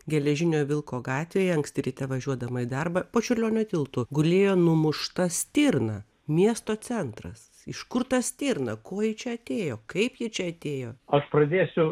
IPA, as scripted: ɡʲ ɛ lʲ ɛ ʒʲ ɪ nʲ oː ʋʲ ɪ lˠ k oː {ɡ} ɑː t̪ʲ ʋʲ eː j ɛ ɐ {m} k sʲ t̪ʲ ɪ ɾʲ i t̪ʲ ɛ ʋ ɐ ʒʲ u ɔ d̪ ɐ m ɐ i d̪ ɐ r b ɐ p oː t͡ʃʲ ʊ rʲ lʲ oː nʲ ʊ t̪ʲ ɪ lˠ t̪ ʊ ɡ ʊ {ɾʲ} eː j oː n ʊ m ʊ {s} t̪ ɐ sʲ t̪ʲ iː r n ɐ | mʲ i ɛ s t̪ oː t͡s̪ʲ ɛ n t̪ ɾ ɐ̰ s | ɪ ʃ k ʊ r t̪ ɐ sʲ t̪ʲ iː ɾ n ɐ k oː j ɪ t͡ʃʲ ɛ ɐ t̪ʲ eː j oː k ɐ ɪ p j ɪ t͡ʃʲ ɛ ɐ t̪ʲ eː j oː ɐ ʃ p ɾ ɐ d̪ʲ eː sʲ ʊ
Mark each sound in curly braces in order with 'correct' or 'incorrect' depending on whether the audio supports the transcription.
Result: correct, incorrect, incorrect, incorrect

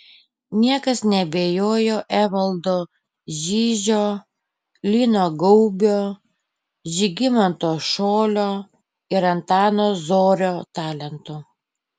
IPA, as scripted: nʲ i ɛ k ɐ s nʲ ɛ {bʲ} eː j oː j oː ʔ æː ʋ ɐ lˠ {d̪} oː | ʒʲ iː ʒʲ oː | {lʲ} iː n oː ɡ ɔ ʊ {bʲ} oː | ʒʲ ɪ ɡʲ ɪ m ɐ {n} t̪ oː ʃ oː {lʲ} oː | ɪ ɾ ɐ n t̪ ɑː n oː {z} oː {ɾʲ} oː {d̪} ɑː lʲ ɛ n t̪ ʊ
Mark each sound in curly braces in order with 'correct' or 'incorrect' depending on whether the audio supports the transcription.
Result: correct, correct, correct, correct, correct, correct, correct, correct, incorrect

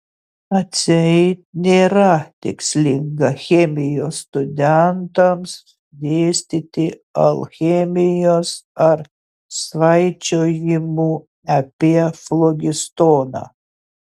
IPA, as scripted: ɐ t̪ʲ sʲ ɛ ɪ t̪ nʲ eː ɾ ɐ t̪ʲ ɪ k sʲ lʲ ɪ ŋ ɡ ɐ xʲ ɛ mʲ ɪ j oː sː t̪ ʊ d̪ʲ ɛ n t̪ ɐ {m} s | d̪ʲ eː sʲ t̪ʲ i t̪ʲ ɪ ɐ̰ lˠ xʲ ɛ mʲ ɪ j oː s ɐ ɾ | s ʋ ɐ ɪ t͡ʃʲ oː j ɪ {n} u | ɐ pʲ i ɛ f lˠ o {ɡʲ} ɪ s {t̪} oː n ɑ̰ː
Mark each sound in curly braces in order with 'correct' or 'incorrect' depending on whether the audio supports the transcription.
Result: correct, incorrect, correct, correct

